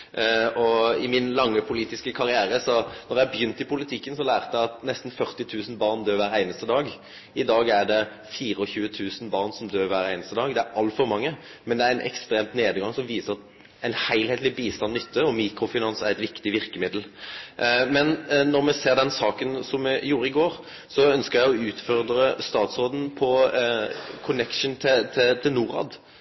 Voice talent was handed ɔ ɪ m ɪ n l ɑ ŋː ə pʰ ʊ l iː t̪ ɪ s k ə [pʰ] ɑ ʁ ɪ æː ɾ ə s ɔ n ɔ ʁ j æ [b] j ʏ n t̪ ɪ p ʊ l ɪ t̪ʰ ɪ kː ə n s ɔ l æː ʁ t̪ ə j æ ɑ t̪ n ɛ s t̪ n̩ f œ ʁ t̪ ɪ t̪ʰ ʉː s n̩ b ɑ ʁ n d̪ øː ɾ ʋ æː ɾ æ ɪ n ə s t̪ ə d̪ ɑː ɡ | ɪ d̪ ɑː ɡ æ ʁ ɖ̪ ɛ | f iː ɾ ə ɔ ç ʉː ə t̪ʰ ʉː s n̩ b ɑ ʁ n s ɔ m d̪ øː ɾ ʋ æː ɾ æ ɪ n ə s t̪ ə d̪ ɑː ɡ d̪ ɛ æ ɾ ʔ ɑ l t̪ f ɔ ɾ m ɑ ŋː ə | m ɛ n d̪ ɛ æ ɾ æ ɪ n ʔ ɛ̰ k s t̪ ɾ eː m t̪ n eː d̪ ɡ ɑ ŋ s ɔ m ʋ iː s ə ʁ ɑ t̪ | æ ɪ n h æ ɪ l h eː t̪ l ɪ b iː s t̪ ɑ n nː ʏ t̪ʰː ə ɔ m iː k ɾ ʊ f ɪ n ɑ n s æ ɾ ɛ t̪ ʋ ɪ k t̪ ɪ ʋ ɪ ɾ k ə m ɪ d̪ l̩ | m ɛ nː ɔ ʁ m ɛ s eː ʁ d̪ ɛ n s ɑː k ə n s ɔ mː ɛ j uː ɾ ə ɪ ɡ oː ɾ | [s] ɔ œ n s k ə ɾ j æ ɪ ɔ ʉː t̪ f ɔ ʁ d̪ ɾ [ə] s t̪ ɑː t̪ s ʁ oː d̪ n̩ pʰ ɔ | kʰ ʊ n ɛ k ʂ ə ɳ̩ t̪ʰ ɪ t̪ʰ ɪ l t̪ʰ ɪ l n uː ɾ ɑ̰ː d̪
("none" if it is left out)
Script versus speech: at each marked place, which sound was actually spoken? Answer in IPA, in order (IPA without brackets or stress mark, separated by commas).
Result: kʰ, b, s, ə